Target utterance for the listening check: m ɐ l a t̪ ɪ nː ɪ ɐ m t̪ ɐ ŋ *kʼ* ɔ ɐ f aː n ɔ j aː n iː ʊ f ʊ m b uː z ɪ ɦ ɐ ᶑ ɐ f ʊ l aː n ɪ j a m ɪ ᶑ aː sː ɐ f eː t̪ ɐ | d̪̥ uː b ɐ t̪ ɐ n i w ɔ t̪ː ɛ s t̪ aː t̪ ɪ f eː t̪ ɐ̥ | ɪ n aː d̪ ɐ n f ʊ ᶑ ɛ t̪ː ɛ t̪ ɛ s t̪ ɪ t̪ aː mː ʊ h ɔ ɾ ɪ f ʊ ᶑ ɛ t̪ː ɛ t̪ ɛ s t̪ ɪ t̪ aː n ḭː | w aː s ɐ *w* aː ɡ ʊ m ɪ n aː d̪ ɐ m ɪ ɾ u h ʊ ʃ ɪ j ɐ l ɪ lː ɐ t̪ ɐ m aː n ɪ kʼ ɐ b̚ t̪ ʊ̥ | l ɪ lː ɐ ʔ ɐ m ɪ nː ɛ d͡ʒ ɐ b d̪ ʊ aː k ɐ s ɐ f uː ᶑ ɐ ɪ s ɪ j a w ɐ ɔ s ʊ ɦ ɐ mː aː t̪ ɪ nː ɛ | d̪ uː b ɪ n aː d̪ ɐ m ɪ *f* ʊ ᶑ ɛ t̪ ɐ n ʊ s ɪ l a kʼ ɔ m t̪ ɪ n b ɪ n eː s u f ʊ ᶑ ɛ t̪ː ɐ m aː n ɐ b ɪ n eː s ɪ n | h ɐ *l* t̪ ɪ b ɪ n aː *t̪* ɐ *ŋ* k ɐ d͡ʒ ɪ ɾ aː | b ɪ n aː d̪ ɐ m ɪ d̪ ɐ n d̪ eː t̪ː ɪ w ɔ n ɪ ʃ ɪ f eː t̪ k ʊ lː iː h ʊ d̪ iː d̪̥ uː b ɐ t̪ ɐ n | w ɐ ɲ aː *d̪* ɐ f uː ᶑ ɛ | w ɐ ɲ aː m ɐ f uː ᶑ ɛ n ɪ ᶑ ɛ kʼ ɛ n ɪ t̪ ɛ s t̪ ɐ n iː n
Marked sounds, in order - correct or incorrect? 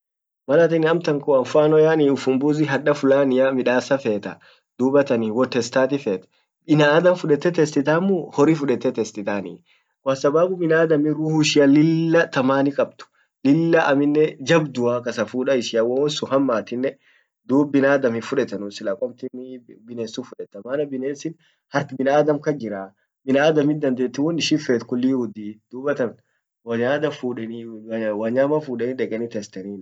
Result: incorrect: k, incorrect: b, correct, incorrect: ɾ, incorrect: d̪, incorrect: m, correct

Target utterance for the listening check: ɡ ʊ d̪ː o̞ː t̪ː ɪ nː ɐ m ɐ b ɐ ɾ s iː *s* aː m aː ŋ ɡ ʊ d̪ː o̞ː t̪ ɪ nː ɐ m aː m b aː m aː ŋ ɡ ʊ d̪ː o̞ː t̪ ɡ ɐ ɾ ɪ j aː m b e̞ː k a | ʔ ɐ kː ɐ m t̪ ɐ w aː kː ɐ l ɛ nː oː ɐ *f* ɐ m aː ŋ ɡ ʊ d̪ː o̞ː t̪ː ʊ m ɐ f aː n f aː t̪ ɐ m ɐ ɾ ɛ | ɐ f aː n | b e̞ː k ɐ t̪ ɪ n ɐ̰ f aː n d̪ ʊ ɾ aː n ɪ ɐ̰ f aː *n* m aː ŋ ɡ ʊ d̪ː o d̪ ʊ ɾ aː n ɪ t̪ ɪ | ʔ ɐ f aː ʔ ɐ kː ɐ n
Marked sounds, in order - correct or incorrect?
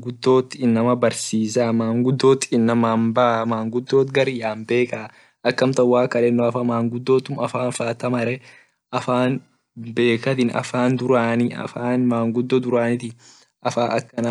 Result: correct, correct, correct

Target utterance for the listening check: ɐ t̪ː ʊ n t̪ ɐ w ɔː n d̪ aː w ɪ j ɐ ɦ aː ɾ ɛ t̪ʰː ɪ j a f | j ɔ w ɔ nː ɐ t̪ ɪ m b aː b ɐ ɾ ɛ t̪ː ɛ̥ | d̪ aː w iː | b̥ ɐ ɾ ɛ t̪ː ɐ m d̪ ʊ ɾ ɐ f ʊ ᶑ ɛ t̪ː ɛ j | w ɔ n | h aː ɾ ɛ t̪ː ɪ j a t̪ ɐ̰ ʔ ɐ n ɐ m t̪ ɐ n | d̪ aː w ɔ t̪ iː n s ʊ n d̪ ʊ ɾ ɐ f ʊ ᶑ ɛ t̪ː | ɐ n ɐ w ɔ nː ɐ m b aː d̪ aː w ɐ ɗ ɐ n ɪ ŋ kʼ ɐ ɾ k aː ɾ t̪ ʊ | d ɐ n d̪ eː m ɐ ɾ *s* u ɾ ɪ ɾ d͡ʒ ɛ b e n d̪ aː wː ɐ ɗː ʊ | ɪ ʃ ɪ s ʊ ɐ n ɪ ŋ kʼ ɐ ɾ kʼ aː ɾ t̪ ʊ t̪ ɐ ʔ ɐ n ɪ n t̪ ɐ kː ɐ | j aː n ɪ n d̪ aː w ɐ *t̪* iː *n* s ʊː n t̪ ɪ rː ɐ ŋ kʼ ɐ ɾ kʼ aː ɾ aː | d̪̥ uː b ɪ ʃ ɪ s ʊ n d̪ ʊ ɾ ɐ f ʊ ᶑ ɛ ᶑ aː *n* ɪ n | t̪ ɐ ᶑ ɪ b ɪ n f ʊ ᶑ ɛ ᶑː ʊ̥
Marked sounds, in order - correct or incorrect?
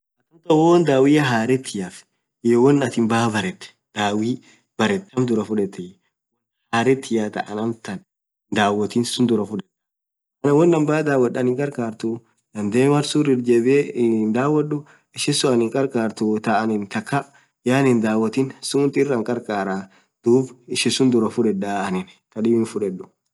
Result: correct, correct, correct, correct

